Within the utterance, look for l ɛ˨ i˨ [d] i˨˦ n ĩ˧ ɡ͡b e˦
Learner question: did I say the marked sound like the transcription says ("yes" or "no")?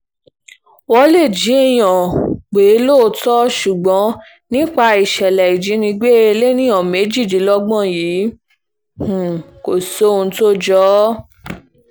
no